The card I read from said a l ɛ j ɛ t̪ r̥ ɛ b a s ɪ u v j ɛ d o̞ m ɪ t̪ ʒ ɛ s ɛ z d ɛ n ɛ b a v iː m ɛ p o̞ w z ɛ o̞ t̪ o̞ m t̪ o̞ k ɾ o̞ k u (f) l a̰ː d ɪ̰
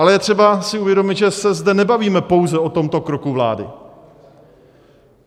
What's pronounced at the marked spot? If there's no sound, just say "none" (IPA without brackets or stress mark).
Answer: v